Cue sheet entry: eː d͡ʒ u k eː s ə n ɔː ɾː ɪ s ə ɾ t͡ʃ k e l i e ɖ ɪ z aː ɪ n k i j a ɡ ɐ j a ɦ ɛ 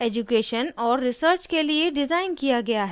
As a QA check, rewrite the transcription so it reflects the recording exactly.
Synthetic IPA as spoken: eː d͡ʒ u k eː ʃ ə n ɔː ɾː ɪ s ə ɾ t͡ʃ k e l i e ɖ ɪ z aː ɪ n k i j a ɡ ɐ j a ɦ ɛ